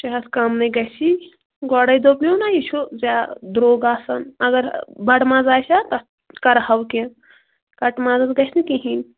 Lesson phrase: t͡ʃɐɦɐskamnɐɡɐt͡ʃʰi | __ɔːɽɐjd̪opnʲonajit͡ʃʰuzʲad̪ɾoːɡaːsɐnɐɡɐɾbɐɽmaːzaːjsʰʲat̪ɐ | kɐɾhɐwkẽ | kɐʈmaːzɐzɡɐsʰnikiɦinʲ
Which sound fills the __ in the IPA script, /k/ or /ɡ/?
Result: ɡ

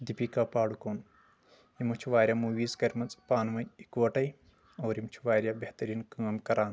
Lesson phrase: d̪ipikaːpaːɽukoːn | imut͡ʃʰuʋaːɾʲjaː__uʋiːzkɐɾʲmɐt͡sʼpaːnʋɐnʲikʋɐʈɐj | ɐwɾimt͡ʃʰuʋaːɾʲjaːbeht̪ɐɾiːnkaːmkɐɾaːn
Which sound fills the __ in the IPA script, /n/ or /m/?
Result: m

